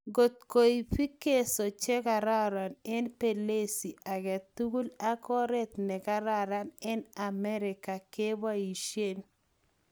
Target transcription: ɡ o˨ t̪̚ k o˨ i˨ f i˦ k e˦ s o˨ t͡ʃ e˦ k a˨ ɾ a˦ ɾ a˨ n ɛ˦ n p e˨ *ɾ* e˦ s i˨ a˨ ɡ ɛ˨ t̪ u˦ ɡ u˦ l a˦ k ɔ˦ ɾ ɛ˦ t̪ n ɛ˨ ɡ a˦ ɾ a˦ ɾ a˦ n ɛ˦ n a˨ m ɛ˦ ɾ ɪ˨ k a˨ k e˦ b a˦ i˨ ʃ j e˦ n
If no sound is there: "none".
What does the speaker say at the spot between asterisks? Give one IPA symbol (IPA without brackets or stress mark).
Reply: l